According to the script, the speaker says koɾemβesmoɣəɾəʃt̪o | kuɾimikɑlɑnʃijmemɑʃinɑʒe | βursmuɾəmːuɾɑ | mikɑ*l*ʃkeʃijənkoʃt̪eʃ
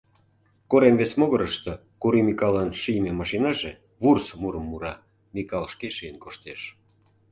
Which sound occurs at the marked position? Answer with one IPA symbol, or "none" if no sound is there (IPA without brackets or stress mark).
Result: l